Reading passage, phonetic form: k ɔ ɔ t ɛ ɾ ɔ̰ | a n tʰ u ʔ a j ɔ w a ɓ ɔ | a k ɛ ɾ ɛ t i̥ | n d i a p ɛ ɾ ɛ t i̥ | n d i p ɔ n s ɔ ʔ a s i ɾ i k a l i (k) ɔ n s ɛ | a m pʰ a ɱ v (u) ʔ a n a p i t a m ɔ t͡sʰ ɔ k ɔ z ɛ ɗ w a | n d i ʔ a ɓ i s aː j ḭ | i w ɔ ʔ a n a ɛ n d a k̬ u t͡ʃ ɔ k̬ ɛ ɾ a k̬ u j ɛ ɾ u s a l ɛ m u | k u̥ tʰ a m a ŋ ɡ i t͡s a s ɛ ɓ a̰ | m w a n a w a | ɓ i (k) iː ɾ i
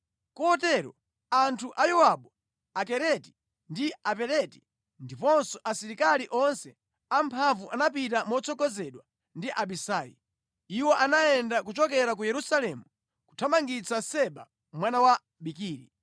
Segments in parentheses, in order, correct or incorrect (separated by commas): incorrect, correct, correct